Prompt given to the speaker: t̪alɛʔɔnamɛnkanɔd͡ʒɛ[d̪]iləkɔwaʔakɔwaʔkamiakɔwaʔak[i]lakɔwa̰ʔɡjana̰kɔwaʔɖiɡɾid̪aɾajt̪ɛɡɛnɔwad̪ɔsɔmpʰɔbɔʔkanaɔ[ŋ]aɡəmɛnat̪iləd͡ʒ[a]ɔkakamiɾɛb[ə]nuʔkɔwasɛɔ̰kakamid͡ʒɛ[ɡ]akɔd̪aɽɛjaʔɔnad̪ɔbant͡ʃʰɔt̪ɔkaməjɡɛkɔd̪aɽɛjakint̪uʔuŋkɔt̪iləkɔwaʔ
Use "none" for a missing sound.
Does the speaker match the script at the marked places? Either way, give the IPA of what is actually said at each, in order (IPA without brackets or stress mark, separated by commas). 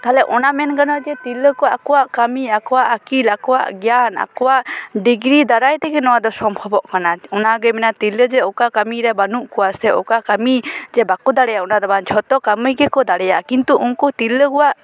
t̪, i, n, ɛ, a, b